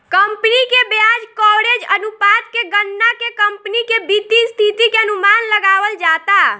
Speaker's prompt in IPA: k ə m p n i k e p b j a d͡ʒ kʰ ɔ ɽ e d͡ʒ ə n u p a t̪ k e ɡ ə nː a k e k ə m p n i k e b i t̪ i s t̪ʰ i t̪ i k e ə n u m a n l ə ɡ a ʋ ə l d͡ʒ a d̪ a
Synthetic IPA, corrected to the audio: k ə m p n i k e b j a d͡ʒ k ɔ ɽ e d͡ʒ ə n u p a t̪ k e ɡ ə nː a k e k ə m p n i k e b i t̪ i s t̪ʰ i t̪ i k e ə n u m a n l ə ɡ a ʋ ə l d͡ʒ a t̪ a

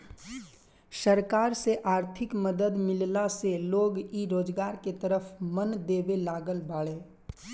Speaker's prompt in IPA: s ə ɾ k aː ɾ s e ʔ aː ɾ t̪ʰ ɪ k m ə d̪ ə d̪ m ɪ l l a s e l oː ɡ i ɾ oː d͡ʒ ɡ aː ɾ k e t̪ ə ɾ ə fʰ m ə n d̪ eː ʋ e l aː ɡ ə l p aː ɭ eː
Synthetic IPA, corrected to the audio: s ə ɾ k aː ɾ s e ʔ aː ɾ t̪ʰ ɪ k m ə d̪ ə d̪ m ɪ l l a s e l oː ɡ i ɾ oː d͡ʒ ɡ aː ɾ k e t̪ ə ɾ ə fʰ m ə n d̪ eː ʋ e l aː ɡ ə l b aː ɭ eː

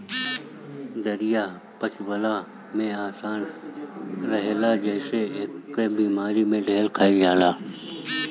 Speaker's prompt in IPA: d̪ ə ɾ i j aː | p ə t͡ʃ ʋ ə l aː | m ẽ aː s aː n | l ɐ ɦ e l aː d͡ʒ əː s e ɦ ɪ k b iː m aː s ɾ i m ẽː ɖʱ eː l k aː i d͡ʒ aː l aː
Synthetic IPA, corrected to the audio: d̪ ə ɾ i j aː | p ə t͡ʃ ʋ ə l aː | m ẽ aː s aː n | ɾ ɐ ɦ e l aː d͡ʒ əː s e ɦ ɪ k b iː m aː ɾ i m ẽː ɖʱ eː l kʰ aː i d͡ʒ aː l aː

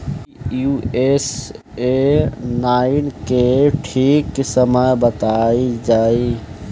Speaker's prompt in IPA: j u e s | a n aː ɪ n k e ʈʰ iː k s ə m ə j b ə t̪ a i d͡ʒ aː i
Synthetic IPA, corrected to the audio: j u e s | e n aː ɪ n k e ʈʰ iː k s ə m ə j b ə t̪ a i d͡ʒ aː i

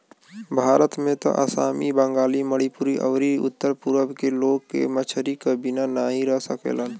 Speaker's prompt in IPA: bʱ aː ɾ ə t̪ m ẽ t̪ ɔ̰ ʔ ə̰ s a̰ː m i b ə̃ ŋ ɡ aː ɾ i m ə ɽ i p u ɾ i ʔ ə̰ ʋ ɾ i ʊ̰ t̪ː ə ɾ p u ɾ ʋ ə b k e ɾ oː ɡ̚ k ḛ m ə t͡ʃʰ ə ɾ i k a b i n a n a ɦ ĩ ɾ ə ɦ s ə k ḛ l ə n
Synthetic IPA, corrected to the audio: bʱ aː ɾ ə t̪ m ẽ t̪ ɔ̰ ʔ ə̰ s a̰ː m i b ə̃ ŋ ɡ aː l i m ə ɽ i p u ɾ i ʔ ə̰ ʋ ɾ i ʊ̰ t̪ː ə ɾ p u ɾ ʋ ə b k e l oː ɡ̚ k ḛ m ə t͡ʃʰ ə ɾ i k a b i n a n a ɦ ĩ ɾ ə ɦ s ə k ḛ l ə n

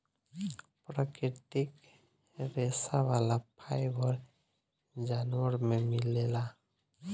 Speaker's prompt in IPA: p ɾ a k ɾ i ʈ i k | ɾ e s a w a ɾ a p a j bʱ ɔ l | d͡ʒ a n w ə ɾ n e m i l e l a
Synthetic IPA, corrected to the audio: p ɾ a k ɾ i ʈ i k | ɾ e s a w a l a pʰ a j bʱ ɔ ɾ | d͡ʒ a n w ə ɾ m e m i l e l a

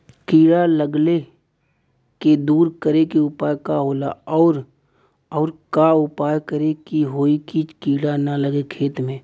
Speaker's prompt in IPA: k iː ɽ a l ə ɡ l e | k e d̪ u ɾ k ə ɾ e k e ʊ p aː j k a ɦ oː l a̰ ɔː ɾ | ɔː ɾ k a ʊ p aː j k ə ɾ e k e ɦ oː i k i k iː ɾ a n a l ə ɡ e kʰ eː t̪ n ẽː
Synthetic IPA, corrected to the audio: k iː ɽ a l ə ɡ l e | k e d̪ uː ɾ k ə ɾ e k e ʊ p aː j k a ɦ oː l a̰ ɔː ɾ | ɔː ɾ k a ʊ p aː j k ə ɾ e k i ɦ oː i k i k iː ɽ a n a l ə ɡ e kʰ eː t̪ m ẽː

